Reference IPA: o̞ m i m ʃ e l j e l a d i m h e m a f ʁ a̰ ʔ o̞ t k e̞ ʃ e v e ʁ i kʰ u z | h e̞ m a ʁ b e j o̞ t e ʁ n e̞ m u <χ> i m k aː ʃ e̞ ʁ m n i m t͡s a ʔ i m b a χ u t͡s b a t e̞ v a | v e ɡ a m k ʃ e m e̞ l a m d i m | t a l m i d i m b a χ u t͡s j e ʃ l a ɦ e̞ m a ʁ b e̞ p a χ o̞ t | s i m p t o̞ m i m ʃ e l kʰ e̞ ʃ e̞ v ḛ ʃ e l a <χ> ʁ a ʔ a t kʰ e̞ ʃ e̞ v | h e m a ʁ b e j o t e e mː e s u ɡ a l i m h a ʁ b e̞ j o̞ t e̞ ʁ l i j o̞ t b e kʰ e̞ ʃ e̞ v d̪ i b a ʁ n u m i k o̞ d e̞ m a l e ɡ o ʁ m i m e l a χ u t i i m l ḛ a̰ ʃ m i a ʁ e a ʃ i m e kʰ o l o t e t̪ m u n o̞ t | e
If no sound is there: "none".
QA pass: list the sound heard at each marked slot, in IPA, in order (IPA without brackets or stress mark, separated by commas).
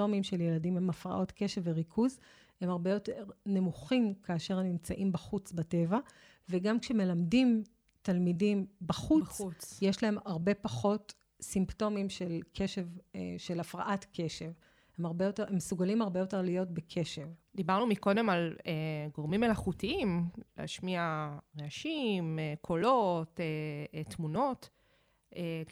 χ, f